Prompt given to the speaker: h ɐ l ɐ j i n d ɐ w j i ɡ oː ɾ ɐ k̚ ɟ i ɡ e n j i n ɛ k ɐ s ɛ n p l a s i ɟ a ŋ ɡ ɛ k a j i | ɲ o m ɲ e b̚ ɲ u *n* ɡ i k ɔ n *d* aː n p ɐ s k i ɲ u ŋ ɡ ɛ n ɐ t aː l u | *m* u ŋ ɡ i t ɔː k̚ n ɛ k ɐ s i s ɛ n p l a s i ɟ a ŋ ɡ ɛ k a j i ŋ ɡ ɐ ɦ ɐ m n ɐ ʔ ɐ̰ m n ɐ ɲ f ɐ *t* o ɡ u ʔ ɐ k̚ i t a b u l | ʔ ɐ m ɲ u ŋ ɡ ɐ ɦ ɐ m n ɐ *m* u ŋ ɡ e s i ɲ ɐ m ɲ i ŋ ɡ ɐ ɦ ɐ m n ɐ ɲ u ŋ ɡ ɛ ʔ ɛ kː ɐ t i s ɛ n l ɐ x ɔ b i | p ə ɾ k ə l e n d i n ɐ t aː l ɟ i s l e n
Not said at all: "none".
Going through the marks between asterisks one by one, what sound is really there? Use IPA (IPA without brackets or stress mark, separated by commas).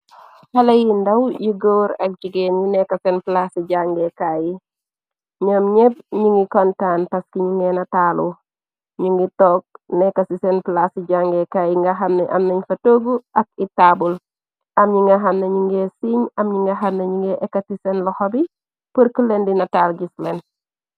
ŋ, t, ɲ, t, ɲ